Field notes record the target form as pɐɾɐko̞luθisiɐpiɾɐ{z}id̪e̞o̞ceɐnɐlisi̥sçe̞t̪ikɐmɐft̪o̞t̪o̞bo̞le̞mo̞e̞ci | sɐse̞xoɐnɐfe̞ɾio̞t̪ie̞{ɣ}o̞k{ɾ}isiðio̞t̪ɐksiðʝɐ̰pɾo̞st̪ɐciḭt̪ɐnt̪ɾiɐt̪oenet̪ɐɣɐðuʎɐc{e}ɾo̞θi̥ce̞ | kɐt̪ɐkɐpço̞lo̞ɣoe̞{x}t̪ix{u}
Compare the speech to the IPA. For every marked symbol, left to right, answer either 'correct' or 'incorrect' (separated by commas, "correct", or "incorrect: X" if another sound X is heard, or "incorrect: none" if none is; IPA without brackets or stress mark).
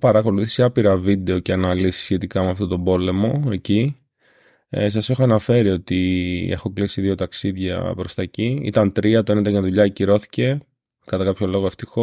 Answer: incorrect: v, incorrect: x, incorrect: l, incorrect: i, incorrect: f, incorrect: o